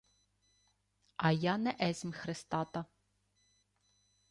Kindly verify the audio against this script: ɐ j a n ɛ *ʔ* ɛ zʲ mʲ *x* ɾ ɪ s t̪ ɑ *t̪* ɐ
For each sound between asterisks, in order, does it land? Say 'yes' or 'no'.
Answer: yes, yes, yes

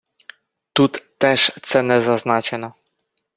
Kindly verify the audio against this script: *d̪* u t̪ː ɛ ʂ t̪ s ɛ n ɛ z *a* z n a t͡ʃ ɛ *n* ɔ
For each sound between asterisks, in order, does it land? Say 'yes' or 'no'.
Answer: no, yes, yes

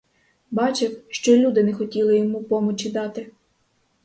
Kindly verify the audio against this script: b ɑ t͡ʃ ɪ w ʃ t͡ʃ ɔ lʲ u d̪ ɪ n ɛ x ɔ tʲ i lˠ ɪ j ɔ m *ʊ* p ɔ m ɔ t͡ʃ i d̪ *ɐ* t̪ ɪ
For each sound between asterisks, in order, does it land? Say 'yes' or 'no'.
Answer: no, no

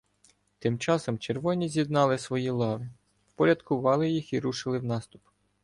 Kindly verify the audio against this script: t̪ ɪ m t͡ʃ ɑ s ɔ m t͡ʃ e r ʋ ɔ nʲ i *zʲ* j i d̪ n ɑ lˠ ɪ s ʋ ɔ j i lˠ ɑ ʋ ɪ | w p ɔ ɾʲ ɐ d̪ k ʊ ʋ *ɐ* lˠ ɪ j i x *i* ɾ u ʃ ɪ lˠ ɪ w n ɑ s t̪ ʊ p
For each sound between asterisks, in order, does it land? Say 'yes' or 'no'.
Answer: yes, no, yes

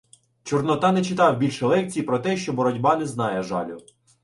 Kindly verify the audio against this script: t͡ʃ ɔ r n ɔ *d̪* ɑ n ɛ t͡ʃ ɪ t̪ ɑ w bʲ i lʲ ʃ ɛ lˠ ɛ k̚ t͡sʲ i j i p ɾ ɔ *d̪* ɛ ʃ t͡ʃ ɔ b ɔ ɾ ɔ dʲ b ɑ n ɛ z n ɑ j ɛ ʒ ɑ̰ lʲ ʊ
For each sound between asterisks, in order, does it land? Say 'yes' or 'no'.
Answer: no, no

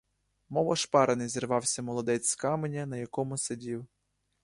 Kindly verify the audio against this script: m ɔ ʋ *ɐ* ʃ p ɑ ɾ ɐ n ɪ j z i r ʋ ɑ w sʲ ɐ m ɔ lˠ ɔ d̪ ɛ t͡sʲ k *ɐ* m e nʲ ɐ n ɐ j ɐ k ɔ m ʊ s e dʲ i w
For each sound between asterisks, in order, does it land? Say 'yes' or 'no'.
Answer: yes, no

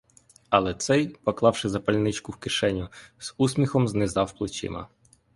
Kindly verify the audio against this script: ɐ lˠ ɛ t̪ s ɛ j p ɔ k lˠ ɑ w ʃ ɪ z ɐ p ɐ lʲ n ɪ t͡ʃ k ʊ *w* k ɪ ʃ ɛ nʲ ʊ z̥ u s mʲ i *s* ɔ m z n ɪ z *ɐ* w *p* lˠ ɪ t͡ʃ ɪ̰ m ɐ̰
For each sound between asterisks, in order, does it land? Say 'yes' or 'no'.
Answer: yes, no, no, yes

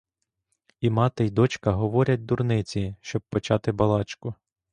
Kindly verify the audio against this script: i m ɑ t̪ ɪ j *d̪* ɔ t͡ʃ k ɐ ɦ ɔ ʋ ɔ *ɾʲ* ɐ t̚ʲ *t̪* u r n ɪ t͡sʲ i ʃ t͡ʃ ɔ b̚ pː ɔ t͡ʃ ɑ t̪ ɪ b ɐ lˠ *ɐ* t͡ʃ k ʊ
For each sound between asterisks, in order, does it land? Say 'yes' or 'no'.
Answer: yes, yes, no, no

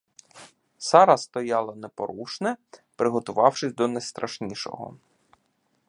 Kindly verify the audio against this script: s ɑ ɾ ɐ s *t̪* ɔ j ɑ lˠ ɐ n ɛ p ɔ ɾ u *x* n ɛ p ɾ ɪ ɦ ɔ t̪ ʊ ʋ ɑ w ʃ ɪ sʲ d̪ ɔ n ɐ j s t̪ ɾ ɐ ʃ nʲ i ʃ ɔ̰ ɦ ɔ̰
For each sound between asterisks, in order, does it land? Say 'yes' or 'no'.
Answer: yes, no

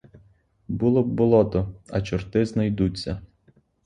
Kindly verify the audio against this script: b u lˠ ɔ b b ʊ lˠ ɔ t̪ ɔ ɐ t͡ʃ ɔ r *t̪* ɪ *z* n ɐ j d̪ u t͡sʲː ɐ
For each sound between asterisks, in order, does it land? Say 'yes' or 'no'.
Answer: yes, yes

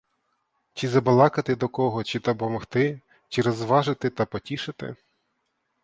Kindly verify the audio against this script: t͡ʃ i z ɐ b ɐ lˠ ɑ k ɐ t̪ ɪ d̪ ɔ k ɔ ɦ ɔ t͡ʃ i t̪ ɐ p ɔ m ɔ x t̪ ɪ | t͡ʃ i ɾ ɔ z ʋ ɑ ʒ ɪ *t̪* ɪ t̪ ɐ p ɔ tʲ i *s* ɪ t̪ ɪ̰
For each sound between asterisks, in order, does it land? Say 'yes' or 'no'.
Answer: yes, no

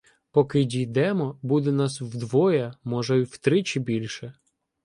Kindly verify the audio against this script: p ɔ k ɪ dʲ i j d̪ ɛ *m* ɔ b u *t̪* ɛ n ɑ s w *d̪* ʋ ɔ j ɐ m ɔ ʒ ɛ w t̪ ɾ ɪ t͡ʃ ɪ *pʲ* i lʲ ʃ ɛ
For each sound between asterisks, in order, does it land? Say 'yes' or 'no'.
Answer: yes, no, yes, no

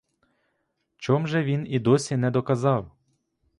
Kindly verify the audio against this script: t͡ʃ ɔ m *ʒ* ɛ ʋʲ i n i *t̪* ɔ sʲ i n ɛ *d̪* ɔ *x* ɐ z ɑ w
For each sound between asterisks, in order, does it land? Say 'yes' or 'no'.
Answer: yes, no, yes, no

